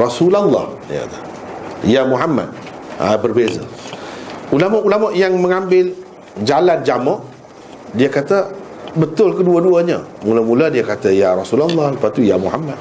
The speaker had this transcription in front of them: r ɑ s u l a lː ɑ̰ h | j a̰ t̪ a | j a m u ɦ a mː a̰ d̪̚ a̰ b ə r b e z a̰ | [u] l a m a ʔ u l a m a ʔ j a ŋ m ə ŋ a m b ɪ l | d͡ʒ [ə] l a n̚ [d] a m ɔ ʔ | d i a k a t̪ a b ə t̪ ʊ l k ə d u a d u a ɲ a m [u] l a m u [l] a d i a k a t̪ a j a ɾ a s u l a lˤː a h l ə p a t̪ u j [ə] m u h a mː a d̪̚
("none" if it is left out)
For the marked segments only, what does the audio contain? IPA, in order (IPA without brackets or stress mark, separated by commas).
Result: u, a, d͡ʒ, u, l, a